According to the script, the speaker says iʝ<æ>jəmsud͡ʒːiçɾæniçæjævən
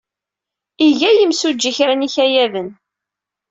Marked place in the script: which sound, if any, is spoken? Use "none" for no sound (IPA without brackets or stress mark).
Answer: æ